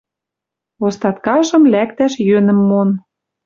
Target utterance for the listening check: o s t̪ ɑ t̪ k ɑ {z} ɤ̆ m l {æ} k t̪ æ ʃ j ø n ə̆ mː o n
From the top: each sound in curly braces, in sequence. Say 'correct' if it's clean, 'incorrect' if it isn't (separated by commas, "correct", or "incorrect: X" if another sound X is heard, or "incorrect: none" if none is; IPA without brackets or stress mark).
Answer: incorrect: ʒ, correct